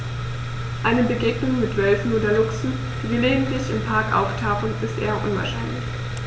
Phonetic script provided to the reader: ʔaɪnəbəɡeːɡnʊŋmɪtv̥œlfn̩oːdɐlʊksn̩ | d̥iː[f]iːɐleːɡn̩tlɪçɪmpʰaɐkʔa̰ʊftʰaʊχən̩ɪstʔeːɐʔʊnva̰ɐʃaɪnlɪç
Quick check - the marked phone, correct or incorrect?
incorrect